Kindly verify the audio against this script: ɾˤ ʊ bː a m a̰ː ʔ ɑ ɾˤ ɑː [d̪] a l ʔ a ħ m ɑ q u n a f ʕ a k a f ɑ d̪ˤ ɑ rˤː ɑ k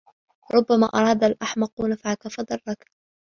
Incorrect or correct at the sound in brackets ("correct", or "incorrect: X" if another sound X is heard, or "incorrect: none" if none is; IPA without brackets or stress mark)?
correct